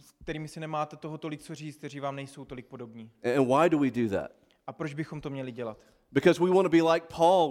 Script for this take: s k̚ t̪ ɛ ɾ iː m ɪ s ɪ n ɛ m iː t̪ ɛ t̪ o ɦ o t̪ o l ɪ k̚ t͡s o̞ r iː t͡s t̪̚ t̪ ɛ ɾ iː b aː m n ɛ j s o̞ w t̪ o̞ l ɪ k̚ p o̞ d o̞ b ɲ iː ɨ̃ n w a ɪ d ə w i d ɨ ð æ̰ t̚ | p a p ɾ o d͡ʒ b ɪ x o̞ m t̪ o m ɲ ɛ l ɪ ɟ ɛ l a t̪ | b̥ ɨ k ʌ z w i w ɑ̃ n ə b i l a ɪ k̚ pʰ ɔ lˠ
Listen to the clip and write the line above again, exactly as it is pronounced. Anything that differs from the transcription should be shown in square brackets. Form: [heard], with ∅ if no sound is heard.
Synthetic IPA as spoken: s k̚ t̪ ɛ ɾ iː m ɪ s ɪ n ɛ m [aː] t̪ ɛ t̪ o ɦ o t̪ o l ɪ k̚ t͡s o̞ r iː t͡s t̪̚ t̪ ɛ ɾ iː [v] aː m n ɛ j s o̞ w t̪ o̞ l ɪ k̚ p o̞ d o̞ b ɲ iː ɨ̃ n w a ɪ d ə w i d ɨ ð æ̰ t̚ | [ʔ] a p ɾ o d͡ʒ b ɪ x o̞ m t̪ o m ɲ ɛ l ɪ ɟ ɛ l a t̪ | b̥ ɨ k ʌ z w i w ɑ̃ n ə b i l a ɪ k̚ pʰ ɔ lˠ